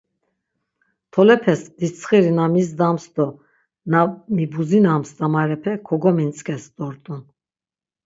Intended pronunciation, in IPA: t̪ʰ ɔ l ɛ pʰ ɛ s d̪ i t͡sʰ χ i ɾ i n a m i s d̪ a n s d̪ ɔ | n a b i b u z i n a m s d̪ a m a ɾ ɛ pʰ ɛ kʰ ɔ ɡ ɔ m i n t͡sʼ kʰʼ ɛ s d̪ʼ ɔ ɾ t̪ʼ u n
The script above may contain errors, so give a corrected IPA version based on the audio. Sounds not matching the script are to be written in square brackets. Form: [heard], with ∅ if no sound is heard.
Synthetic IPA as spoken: t̪ʰ ɔ l ɛ pʰ ɛ s d̪ i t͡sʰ χ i ɾ i n a m i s d̪ a [m] s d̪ ɔ | n a [m] i b u z i n a m s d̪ a m a ɾ ɛ pʰ ɛ kʰ ɔ ɡ ɔ m i n t͡sʼ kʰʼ ɛ s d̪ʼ ɔ ɾ t̪ʼ u n